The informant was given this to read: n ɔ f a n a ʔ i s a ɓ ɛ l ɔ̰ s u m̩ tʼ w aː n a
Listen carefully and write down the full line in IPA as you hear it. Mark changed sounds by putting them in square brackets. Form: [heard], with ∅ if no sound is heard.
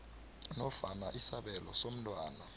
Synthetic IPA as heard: n ɔ f a n a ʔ i s a ɓ ɛ l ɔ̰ s [o] m̩ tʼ w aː n a